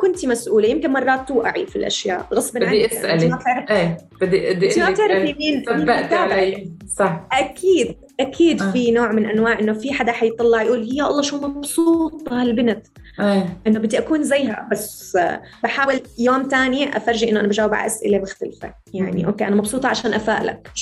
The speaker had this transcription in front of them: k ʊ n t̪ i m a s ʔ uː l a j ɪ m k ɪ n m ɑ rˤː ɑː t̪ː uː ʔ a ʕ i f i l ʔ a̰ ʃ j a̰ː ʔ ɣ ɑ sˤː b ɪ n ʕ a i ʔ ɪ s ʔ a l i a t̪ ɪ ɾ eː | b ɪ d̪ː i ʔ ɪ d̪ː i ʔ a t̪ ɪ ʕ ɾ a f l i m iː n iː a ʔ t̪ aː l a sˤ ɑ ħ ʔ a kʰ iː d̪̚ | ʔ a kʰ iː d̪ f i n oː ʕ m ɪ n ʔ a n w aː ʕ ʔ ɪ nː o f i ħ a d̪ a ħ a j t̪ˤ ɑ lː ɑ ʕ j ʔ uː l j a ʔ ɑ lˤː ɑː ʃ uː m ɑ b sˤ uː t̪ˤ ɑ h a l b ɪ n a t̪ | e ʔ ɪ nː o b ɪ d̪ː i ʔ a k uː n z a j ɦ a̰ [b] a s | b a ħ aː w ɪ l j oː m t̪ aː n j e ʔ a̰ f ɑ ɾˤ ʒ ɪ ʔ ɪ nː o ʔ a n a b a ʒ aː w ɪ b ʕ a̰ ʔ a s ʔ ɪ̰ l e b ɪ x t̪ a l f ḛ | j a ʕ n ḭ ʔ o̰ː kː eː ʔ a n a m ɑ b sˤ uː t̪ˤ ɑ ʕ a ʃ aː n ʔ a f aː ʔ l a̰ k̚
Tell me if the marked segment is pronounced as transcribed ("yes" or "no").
yes